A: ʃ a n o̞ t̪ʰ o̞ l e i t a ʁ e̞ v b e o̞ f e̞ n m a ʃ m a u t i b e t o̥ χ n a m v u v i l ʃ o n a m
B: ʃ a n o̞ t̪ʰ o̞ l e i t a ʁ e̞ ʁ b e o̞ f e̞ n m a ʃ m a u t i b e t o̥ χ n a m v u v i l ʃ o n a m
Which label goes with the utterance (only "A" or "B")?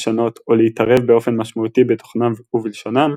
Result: A